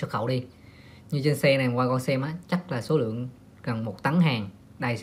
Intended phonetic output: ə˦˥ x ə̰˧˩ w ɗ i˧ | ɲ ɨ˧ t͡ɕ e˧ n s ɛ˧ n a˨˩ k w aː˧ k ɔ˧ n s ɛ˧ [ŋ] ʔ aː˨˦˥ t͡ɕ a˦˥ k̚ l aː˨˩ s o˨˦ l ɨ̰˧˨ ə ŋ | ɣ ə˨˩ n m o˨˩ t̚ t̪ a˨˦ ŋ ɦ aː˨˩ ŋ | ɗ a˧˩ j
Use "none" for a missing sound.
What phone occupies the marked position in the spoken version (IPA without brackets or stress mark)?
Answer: m